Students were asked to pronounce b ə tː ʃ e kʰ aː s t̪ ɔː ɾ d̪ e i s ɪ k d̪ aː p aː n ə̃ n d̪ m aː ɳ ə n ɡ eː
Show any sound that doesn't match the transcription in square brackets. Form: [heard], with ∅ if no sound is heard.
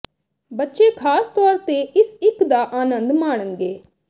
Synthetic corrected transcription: b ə tː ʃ e kʰ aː s t̪ ɔː ɾ [t̪] e [ɪ] s ɪ k d̪ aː [ʔ] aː n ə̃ n d̪ m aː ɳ ə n ɡ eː